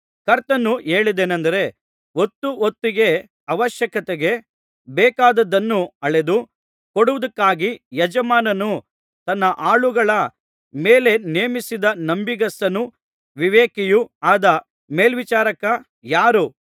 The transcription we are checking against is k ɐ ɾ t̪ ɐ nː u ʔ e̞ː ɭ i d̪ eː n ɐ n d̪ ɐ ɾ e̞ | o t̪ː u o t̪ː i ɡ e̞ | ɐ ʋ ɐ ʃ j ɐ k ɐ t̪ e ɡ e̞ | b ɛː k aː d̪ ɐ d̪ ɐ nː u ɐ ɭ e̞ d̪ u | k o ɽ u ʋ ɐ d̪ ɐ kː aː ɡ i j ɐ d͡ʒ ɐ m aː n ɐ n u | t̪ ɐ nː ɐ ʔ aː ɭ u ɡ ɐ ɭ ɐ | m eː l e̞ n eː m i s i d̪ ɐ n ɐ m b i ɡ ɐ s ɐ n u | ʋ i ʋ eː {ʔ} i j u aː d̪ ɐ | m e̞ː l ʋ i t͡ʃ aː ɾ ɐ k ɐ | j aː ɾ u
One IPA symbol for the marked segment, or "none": k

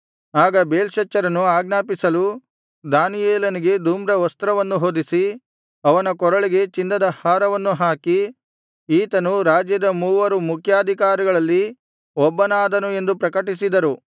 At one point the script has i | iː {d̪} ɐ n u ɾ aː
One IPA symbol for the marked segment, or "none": t̪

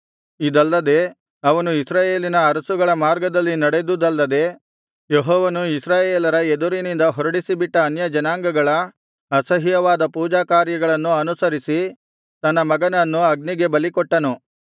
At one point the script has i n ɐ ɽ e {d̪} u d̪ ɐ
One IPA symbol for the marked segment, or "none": d̪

